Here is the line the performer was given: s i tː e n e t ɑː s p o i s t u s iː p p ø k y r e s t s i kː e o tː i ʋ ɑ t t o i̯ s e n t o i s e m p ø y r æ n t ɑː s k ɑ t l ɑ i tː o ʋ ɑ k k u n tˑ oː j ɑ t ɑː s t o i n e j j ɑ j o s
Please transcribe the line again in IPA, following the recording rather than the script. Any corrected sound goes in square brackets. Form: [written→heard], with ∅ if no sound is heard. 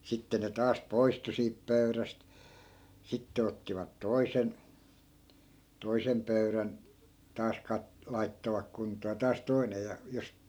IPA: s i tː e n e t ɑː s p o i s t u s iː p p ø [k→∅] y r [e→æ] s t s i [kː→tː] e o tː i ʋ ɑ t t o i̯ s e n t o i s e m p ø y r æ n t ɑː s k ɑ t l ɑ i tː o ʋ ɑ k k u n tˑ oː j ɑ t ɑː s t o i n e j j ɑ j o s